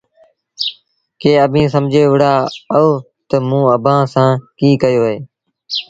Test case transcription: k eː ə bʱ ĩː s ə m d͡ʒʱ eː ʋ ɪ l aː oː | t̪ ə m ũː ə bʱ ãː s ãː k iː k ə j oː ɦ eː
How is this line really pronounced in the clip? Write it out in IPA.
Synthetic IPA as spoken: k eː ə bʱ ĩː s ə m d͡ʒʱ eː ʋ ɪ ɽ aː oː | t̪ ə m ũː ə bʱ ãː s ãː k iː k ə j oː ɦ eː

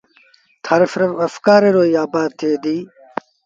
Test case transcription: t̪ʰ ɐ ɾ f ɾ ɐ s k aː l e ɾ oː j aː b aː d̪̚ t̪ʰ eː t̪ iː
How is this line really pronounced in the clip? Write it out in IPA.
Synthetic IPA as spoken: t̪ʰ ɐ ɾ f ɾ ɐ f k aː ɾ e ɾ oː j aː b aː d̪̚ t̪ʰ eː d̪ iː

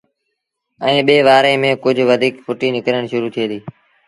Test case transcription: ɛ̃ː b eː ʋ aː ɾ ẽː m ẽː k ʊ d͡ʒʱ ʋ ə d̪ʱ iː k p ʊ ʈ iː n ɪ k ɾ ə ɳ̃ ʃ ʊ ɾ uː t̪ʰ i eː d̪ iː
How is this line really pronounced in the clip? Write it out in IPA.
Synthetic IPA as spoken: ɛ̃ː ɓ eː ʋ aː ɾ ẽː m ẽː k ʊ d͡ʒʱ ʋ ə d̪ʱ iː k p ʊ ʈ iː n ɪ k ɾ ə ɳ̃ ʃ ʊ ɾ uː t̪ʰ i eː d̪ iː

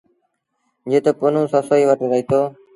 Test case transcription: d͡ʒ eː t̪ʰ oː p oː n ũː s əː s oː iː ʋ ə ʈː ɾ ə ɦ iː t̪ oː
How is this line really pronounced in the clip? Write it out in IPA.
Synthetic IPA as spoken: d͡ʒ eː t̪ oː p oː n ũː s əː s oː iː ʋ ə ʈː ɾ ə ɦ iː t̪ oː

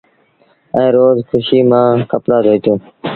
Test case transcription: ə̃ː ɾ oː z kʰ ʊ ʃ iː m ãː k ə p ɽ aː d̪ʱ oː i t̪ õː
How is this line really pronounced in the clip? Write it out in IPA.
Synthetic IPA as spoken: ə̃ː ɾ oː z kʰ ʊ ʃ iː m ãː k ə p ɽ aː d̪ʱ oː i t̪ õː

